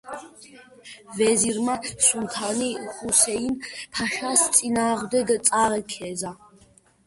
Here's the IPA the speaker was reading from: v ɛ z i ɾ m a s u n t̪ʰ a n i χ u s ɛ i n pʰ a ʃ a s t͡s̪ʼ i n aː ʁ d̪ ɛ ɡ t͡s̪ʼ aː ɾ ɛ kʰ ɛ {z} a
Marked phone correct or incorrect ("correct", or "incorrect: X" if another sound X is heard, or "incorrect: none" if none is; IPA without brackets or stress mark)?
correct